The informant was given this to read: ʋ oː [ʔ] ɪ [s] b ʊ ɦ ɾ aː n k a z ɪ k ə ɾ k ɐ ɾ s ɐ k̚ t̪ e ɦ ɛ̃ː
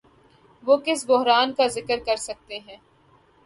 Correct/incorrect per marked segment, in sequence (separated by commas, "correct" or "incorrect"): incorrect, correct